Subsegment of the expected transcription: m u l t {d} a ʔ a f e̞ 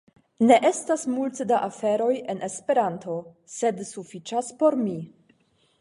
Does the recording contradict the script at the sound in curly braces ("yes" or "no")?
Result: no